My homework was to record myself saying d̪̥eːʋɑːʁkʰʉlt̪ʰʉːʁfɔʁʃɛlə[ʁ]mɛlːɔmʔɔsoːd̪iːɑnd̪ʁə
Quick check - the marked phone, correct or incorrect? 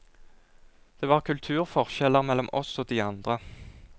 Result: correct